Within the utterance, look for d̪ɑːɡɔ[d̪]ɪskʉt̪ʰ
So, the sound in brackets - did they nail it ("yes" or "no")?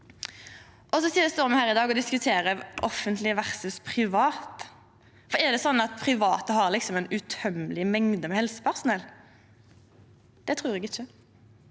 yes